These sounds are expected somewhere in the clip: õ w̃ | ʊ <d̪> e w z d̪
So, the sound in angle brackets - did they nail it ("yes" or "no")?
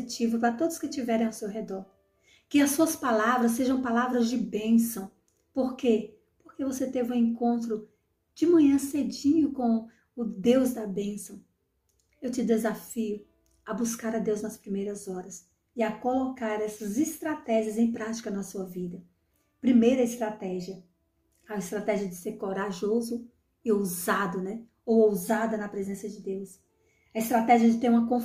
yes